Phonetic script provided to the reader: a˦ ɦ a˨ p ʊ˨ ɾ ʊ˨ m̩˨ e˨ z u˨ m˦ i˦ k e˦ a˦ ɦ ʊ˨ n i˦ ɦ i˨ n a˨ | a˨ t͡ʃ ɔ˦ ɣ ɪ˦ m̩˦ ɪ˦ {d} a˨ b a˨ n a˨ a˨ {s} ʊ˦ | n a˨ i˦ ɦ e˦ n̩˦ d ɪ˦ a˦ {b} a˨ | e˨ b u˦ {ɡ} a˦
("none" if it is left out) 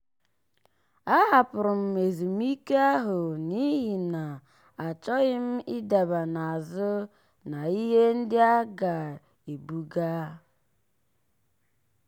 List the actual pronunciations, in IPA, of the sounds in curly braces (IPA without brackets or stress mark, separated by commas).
d, z, ɡ, ɡ